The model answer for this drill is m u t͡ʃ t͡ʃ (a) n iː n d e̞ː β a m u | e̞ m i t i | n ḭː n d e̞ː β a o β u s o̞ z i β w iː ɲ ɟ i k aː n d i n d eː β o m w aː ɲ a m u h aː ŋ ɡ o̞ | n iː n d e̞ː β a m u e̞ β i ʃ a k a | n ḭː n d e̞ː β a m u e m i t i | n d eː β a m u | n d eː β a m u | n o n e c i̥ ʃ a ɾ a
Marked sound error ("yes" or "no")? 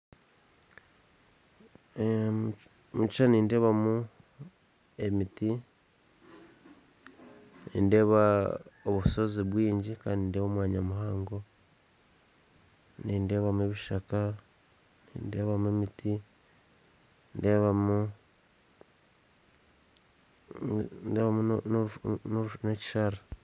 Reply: no